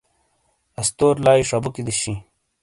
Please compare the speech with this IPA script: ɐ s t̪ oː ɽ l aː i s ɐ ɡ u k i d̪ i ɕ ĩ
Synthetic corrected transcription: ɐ s t̪ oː ɾ l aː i ʂ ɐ b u k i d̪ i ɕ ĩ